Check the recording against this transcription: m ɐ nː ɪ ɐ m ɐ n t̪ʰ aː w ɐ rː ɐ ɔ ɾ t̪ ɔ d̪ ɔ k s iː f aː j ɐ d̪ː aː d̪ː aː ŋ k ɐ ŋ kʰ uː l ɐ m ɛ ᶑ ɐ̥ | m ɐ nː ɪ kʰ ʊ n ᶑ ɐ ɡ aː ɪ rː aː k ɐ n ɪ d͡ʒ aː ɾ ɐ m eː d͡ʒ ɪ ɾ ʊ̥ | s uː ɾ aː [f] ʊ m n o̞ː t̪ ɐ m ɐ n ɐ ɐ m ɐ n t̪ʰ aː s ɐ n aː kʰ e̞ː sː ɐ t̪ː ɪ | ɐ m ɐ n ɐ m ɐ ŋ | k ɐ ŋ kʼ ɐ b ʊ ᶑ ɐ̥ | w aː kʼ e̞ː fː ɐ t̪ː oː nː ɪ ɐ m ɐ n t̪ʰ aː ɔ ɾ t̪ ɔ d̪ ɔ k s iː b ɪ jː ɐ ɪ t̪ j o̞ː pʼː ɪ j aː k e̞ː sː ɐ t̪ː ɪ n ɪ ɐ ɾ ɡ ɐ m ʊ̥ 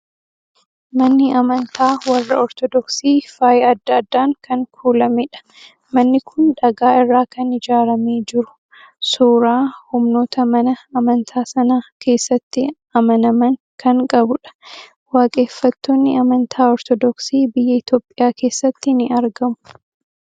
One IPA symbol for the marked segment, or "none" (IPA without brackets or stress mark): h